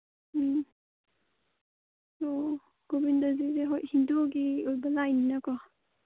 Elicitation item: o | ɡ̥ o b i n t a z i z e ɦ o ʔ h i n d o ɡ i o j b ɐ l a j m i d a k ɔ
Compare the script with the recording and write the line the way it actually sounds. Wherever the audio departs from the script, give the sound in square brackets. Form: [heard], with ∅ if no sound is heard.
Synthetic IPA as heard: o | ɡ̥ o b i n [d] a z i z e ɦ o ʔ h i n d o ɡ i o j b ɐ l a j [n] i [n] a k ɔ

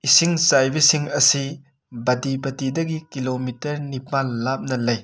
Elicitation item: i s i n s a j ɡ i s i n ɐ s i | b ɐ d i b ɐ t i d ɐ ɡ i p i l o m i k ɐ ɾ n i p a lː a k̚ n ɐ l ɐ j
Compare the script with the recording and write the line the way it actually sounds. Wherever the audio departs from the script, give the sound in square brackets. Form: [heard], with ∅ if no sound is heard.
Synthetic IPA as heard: i s i [ŋ] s a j [b] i s i [ŋ] ɐ s i | b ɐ d i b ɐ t i d ɐ ɡ i [k] i l o m i [t] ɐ ɾ n i p a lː a [p̚] n ɐ l ɐ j

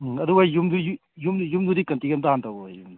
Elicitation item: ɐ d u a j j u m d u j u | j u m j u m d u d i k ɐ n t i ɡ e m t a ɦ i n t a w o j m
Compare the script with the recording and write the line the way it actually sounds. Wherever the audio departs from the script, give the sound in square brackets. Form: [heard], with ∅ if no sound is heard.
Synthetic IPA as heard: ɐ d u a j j u m d u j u | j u m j u m d u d i k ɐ n t i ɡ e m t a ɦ [a] n t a w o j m

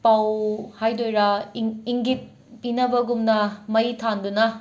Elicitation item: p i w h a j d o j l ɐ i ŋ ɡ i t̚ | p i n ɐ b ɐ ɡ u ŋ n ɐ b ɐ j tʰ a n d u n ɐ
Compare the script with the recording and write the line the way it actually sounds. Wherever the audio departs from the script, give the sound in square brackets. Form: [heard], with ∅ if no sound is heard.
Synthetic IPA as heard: p [a] w h a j d o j [ɾ] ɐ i ŋ ɡ i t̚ | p i n ɐ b ɐ ɡ u [m] n ɐ [m] ɐ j tʰ a n d u n ɐ

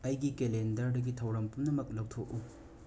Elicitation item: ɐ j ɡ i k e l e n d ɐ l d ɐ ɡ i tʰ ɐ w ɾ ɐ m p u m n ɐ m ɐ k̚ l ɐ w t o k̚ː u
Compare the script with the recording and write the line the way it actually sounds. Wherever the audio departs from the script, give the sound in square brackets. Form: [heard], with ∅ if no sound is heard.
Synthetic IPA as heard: ɐ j ɡ i k e l e n d ɐ [ɾ] d ɐ ɡ i tʰ ɐ w ɾ ɐ m p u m n ɐ m ɐ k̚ l ɐ w [tʰ] o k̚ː u

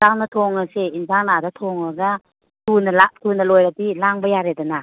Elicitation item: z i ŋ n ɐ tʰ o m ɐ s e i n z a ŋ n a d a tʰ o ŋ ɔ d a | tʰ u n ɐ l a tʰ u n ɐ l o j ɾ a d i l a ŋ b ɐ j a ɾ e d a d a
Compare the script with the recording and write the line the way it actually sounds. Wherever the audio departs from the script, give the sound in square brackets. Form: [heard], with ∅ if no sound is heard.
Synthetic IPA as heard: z [a] ŋ n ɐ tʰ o [ŋ] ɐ s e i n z a ŋ n a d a tʰ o ŋ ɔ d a | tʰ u n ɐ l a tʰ u n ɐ l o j ɾ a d i l a ŋ b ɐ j a ɾ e d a [n] a

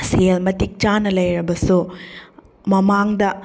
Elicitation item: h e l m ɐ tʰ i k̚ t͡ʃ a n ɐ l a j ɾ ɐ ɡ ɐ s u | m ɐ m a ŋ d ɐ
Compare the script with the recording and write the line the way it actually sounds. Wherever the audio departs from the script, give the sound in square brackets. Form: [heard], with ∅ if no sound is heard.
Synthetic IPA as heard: [s] e l m ɐ [t] i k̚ t͡ʃ a n ɐ l [ɐ] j ɾ ɐ [b] ɐ s u | m ɐ m a ŋ d ɐ

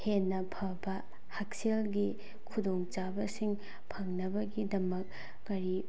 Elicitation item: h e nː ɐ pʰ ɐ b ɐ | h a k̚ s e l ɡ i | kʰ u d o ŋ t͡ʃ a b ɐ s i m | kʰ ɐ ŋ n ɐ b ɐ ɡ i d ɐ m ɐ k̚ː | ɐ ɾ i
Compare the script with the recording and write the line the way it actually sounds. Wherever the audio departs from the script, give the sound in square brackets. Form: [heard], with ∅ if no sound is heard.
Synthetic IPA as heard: h e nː ɐ pʰ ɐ b ɐ | h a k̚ s e l ɡ i | kʰ u d o ŋ t͡ʃ a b ɐ s i [ŋ] | [pʰ] ɐ ŋ n ɐ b ɐ ɡ i d ɐ m ɐ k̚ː | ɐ ɾ i

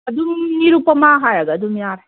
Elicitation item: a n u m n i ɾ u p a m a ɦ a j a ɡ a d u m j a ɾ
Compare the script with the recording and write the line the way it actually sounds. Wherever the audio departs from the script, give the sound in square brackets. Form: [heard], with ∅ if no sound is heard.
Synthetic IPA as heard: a [d] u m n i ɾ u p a m a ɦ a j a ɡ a d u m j a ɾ

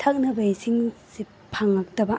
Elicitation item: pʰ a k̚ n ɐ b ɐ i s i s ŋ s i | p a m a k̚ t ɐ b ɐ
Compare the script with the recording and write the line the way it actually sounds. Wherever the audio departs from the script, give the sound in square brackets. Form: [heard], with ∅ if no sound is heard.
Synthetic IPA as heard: [tʰ] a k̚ n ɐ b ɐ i s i [∅] ŋ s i | [pʰ] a [ŋ] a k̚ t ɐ b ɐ

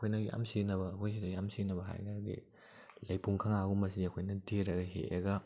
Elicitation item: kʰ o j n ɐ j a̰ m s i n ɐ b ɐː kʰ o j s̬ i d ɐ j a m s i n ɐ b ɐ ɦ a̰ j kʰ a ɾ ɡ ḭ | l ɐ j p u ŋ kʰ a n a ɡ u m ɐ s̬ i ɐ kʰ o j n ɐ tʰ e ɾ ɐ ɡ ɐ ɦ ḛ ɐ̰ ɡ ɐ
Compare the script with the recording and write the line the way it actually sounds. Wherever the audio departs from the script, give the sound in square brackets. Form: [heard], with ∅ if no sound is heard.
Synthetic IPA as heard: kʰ o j n ɐ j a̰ m s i n ɐ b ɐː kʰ o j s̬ i d ɐ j a m s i n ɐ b ɐ ɦ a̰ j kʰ a ɾ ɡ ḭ | l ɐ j p u ŋ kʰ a [ŋ] a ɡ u m ɐ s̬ i ɐ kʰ o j n ɐ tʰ e ɾ ɐ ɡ ɐ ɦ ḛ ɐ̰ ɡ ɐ

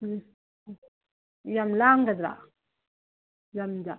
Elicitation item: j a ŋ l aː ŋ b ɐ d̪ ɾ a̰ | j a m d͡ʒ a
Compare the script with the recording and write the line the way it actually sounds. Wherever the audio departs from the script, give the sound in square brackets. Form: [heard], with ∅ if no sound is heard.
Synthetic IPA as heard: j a [m] l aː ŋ [ɡ] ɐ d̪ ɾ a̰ | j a m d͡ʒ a

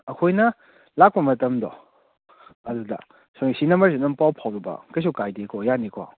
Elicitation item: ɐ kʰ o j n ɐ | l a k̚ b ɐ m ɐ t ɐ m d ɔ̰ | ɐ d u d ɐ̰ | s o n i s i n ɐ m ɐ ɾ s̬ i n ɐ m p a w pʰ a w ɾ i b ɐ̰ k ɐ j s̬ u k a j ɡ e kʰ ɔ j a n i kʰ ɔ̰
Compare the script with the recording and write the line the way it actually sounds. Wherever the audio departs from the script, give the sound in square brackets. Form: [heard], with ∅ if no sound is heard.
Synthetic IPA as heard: ɐ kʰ o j n ɐ | l a k̚ [p] ɐ m ɐ t ɐ m d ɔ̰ | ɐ d u d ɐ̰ | s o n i s i n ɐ m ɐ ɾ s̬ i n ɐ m p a w pʰ a w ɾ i b ɐ̰ k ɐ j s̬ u k a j [d] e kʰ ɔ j a n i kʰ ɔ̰

